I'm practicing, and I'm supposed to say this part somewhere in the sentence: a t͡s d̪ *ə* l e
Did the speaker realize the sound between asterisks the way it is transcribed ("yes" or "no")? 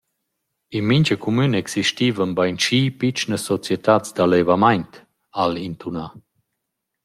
no